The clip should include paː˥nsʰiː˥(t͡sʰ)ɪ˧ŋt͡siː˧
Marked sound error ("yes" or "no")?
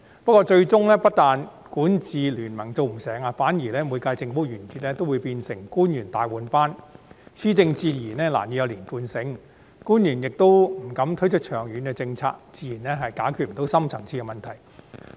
yes